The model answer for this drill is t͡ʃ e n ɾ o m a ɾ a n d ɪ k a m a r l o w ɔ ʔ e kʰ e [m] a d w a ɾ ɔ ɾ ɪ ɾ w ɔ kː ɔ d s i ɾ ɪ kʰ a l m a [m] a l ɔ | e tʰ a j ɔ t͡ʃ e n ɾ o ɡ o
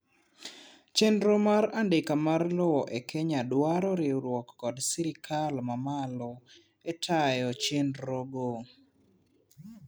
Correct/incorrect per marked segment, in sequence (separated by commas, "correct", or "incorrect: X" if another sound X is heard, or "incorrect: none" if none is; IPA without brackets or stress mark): incorrect: ɲ, correct